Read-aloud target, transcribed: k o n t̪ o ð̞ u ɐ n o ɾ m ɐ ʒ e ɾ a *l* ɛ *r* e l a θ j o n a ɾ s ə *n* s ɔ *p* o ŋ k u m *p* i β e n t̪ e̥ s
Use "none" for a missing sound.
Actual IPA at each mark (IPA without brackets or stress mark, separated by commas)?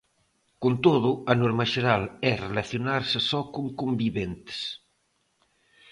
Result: l, r, none, k, b